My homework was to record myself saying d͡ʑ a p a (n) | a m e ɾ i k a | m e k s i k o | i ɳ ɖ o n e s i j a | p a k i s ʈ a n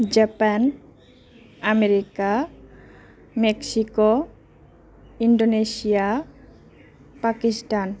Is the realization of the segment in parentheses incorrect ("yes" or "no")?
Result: no